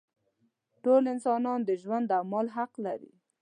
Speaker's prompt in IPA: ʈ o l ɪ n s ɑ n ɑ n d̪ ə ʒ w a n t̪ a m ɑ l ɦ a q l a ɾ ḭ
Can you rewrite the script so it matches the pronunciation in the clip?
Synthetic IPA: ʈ o l ɪ n s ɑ n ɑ n d̪ ə ʒ w a n d̪ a m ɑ l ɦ a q l a ɾ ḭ